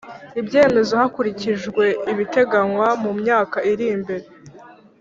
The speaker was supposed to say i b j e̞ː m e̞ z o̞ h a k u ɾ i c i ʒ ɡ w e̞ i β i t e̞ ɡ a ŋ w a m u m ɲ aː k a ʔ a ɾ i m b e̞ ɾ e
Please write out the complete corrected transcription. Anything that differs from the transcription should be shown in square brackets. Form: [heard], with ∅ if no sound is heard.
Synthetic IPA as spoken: i b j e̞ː m e̞ z o̞ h a k u ɾ i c i ʒ ɡ w e̞ i β i t e̞ ɡ a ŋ w a m u m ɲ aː k a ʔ [i] ɾ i m b e̞ ɾ e